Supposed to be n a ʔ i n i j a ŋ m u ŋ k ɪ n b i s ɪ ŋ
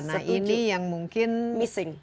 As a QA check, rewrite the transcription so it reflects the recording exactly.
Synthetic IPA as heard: n a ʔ i n i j a ŋ m u ŋ k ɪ n m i s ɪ ŋ